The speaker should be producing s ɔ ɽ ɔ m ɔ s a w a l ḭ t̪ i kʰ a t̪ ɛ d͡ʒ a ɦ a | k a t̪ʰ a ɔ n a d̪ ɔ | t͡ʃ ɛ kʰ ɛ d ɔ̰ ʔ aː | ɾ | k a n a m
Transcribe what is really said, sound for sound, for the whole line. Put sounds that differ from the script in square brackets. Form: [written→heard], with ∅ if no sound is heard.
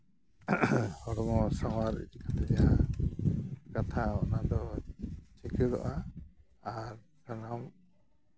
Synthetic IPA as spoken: [s→h] ɔ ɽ ɔ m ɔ s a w a [l→ɾ] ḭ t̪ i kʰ a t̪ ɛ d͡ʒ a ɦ a | k a t̪ʰ a ɔ n a d̪ ɔ | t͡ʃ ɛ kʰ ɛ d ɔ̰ ʔ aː | ɾ | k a n a m

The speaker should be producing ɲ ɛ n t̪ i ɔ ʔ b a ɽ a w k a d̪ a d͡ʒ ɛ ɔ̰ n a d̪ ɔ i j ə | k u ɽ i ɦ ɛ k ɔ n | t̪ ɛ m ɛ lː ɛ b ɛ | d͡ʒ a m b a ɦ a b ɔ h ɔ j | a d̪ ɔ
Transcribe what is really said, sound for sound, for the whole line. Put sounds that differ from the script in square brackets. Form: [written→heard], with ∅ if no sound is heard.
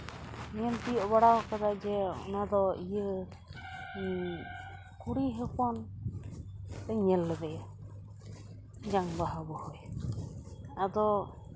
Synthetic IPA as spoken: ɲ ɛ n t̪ i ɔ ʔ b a ɽ a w k a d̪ a d͡ʒ ɛ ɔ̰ n a d̪ ɔ i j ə | k u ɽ i ɦ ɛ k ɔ n | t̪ ɛ [m→ɲ] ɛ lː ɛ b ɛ | d͡ʒ a [m→ŋ] b a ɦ a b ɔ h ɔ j | a d̪ ɔ

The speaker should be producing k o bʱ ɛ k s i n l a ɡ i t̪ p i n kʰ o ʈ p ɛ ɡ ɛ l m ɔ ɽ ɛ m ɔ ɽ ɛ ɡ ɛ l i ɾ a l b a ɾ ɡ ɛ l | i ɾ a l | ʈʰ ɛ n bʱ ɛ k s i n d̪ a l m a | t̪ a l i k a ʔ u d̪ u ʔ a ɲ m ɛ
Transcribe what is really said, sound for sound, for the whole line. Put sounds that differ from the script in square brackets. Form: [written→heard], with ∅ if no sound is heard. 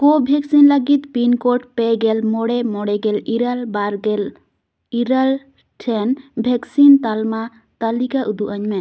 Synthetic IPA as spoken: k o bʱ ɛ k s i n l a ɡ i t̪ p i n [kʰ→k] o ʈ p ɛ ɡ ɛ l m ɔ ɽ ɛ m ɔ ɽ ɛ ɡ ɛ l i ɾ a l b a ɾ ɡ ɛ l | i ɾ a l | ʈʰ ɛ n bʱ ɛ k s i n [d̪→t̪] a l m a | t̪ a l i k a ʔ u d̪ u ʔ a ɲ m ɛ

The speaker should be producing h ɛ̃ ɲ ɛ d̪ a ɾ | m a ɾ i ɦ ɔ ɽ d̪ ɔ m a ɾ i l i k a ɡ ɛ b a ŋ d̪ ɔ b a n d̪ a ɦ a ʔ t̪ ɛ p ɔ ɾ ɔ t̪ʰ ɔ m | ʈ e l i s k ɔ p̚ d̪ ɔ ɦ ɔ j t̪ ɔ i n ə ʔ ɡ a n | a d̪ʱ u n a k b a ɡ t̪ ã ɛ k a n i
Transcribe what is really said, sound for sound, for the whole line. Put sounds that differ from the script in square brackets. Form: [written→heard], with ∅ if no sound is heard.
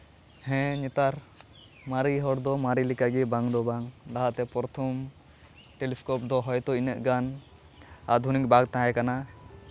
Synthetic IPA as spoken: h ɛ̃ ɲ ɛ [d̪→t̪] a ɾ | m a ɾ i ɦ ɔ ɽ d̪ ɔ m a ɾ i l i k a ɡ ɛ b a ŋ d̪ ɔ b a [n→ŋ] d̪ a ɦ a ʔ t̪ ɛ p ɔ ɾ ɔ t̪ʰ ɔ m | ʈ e l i s k ɔ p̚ d̪ ɔ ɦ ɔ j t̪ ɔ i n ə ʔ ɡ a n | a d̪ʱ u n [a→i] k b a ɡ t̪ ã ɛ k a n [i→a]

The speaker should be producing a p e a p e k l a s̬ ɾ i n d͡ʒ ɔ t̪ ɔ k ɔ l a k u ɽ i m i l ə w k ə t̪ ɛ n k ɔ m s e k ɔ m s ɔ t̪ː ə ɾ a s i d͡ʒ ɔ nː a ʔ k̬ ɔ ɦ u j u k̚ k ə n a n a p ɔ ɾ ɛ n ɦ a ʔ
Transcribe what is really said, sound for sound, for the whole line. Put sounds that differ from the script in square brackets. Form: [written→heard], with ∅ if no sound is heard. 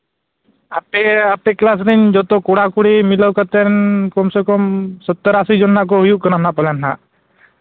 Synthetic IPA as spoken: a p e a p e k l a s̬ ɾ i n d͡ʒ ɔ t̪ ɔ k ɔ [l→ɽ] a k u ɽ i m i l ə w k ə t̪ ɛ n k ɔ m s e k ɔ m s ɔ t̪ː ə ɾ a s i d͡ʒ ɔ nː a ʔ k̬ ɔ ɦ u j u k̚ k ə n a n a p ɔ [ɾ→l] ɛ n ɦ a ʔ

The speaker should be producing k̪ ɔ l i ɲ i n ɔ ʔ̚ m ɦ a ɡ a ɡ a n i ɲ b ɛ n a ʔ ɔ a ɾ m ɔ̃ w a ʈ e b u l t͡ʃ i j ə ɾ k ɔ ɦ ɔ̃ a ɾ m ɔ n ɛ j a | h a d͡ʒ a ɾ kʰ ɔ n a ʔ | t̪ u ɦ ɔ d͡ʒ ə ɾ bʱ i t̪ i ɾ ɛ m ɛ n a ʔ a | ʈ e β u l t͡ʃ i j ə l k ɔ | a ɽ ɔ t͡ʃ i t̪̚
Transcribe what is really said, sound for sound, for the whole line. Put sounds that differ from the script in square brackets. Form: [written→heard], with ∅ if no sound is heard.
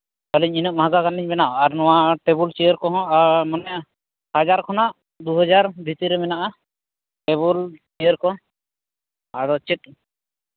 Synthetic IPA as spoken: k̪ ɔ l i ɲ i n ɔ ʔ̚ m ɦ a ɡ a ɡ a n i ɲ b ɛ n a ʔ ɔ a ɾ [m→n] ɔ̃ w a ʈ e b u l t͡ʃ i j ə ɾ k ɔ ɦ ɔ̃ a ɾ m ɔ n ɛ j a | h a d͡ʒ a ɾ kʰ ɔ n a ʔ | [t̪→d̪] u ɦ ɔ d͡ʒ [ə→a] ɾ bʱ i t̪ i ɾ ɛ m ɛ n a ʔ a | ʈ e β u l t͡ʃ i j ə [l→ɾ] k ɔ | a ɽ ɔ t͡ʃ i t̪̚

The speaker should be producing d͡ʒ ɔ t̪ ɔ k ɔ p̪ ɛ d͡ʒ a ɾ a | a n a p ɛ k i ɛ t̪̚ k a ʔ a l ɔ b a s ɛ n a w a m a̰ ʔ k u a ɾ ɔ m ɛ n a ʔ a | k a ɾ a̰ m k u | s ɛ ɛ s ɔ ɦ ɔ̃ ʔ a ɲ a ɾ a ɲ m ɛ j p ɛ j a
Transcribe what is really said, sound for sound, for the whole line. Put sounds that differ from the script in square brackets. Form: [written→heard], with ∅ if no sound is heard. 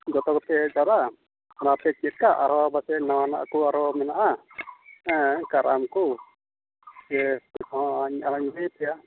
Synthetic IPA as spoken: d͡ʒ ɔ t̪ ɔ k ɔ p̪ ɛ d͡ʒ a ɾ a | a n a p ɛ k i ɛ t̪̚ k a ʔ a [l→ɾ] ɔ b a s ɛ n a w a [m→n] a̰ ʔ k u a ɾ ɔ m ɛ n a ʔ a | k a ɾ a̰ m k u | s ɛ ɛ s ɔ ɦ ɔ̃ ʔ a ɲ a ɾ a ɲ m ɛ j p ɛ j a

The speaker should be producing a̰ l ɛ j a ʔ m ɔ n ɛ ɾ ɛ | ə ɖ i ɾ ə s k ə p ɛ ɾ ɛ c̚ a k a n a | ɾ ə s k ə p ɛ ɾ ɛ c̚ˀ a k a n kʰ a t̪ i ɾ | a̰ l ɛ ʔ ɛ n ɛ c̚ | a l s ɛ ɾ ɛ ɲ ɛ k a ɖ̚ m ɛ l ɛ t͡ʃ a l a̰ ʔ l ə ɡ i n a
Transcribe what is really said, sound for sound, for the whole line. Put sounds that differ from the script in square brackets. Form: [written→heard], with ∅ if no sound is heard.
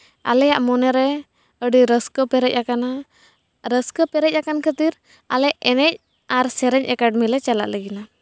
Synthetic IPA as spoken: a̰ l ɛ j a ʔ m ɔ n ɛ ɾ ɛ | ə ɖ i ɾ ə s k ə p ɛ ɾ ɛ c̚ a k a n a | ɾ ə s k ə p ɛ ɾ ɛ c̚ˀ a k a n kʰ [a→ə] t̪ i ɾ | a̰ l ɛ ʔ ɛ n ɛ c̚ | a [l→ɾ] s ɛ ɾ ɛ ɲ ɛ k a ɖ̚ m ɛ l ɛ t͡ʃ a l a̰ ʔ l ə ɡ i n a

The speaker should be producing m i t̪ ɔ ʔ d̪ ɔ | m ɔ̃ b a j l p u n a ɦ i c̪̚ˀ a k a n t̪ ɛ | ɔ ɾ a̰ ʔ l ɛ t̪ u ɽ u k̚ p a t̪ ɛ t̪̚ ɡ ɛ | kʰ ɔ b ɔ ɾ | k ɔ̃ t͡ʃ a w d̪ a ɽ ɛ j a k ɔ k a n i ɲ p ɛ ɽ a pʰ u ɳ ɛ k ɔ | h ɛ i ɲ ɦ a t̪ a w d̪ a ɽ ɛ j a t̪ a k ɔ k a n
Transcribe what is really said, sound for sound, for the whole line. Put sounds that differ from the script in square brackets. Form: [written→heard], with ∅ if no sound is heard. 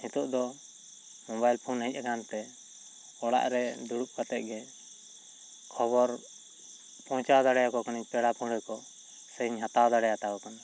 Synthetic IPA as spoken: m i t̪ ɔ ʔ d̪ ɔ | m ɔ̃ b a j l [p→pʰ] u n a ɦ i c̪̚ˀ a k a n t̪ ɛ | ɔ [ɾ→ɽ] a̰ ʔ [l→ɾ] ɛ [t̪→d̪] u ɽ u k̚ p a t̪ ɛ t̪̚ ɡ ɛ | kʰ ɔ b ɔ ɾ | [k→p] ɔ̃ t͡ʃ a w d̪ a ɽ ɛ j a k ɔ k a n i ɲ p ɛ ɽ a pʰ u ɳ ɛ k ɔ | [h→s] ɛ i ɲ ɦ a t̪ a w d̪ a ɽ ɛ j a t̪ a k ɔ k a n

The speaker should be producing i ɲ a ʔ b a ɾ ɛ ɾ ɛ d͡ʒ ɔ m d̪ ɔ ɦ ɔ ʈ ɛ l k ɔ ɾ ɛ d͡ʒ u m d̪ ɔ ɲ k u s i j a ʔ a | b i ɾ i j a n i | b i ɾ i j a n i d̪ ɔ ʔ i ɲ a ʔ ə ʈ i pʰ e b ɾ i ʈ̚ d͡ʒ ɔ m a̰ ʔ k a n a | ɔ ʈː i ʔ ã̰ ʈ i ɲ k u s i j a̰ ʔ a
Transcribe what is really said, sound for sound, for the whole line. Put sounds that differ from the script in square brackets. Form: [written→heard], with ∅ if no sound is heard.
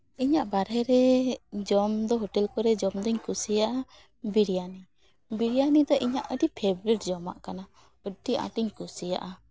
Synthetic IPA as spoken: i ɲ a ʔ b a ɾ ɛ ɾ ɛ d͡ʒ ɔ m d̪ ɔ ɦ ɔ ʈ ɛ l k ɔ ɾ ɛ d͡ʒ [u→ɔ] m d̪ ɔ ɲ k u s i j a ʔ a | b i ɾ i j a n i | b i ɾ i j a n i d̪ ɔ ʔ i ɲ a ʔ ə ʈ i pʰ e b ɾ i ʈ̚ d͡ʒ ɔ m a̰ ʔ k a n a | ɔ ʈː i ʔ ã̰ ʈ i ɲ k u s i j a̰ ʔ a

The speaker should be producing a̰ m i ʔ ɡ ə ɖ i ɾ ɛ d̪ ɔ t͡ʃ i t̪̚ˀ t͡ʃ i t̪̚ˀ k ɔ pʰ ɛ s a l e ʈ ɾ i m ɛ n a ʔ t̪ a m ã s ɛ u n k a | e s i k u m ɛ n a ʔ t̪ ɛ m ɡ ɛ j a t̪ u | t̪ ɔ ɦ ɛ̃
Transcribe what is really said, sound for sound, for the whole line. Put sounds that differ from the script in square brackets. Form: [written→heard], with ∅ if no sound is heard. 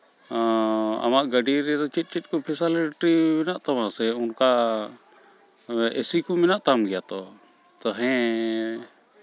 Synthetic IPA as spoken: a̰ m [i→a] ʔ ɡ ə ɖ i ɾ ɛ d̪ ɔ t͡ʃ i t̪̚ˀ t͡ʃ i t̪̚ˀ k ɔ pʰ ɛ s a l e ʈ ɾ i m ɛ n a ʔ t̪ a m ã s ɛ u n k a | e s i k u m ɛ n a ʔ t̪ [ɛ→a] m ɡ ɛ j a t̪ [u→ɔ] | t̪ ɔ ɦ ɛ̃

